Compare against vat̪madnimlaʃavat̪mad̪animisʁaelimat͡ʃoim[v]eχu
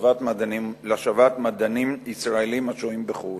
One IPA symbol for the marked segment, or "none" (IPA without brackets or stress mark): b